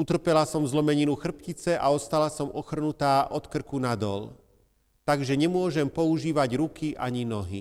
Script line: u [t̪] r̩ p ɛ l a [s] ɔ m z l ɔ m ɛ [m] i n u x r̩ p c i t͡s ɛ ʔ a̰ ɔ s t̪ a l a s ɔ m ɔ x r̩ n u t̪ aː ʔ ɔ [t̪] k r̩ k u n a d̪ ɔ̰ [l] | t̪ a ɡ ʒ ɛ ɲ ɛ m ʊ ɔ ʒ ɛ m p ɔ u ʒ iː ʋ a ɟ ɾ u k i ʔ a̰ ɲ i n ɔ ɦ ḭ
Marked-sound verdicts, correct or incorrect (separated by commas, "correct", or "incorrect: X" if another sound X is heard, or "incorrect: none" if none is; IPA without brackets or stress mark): correct, correct, incorrect: ɲ, correct, correct